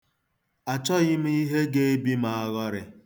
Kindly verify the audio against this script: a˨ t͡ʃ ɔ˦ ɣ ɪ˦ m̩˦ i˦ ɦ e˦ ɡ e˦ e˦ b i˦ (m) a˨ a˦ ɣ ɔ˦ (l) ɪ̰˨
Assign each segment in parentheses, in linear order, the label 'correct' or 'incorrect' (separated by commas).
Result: correct, incorrect